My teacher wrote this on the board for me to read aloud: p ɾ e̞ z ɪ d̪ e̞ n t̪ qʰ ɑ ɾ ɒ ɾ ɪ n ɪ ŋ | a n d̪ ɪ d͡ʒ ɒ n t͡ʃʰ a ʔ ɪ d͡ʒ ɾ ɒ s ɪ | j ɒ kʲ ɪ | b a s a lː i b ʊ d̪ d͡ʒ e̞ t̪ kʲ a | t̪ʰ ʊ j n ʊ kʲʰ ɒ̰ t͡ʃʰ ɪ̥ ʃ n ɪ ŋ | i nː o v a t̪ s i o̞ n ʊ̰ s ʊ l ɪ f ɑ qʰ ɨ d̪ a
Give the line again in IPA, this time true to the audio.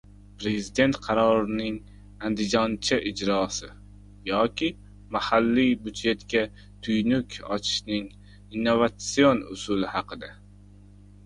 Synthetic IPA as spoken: p ɾ e̞ z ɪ d̪ e̞ n t̪ qʰ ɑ ɾ ɒ ɾ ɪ n ɪ ŋ | a n d̪ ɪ d͡ʒ ɒ n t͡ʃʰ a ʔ ɪ d͡ʒ ɾ ɒ s ɪ | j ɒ kʲ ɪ | m a h a lː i b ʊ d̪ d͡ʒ e̞ t̪ kʲ a | t̪ʰ ʊ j n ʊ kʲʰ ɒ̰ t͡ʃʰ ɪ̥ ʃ n ɪ ŋ | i nː o v a t̪ s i o̞ n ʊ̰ s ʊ l ɪ h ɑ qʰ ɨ d̪ a